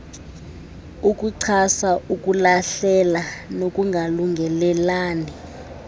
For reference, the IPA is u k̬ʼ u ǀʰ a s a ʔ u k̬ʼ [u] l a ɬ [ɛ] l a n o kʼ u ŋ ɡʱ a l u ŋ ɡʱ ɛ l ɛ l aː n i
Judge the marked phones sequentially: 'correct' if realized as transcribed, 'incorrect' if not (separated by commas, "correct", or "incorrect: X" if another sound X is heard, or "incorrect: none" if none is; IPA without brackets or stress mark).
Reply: correct, correct